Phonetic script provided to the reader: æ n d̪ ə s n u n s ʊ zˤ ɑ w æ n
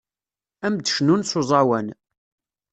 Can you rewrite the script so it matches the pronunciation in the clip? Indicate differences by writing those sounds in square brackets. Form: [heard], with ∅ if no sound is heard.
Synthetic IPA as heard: æ [m] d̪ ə [ʃ] n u n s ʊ zˤ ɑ w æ n